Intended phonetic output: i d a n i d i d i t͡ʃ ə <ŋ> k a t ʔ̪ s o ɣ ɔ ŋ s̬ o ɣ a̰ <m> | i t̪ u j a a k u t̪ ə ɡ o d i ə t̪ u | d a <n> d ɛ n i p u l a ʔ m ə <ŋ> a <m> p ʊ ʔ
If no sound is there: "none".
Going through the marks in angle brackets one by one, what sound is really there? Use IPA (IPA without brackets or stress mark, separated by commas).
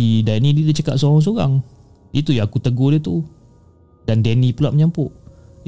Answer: none, ŋ, n, ɲ, m